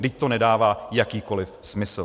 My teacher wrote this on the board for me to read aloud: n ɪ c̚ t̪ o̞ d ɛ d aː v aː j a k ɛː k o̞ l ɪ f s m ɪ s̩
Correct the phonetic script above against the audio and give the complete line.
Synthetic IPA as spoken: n ɪ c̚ t̪ o̞ n ɛ d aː v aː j a k iː k o̞ l ɪ f s m ɪ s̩